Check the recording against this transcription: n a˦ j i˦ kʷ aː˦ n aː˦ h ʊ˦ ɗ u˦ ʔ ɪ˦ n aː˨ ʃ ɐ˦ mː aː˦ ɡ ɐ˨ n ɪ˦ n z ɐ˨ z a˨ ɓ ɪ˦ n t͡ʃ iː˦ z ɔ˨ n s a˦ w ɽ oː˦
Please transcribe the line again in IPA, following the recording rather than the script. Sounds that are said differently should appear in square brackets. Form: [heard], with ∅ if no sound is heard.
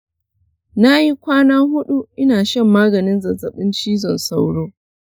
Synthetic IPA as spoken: n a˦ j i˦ kʷ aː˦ n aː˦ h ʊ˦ ɗ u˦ ʔ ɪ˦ n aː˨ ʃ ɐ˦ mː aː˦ ɡ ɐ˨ n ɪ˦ n z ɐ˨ z [ɐ˨] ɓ ɪ˦ n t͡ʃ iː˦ z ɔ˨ n s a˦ w ɽ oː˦